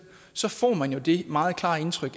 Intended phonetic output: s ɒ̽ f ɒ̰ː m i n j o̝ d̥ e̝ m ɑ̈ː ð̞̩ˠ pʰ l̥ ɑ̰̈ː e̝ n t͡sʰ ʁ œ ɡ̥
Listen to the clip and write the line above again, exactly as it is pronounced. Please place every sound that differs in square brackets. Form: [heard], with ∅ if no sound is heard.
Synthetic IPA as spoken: s ɒ̽ f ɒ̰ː m [æ] n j o̝ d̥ e̝ m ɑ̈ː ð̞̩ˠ [kʰ] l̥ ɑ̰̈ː e̝ n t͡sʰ ʁ œ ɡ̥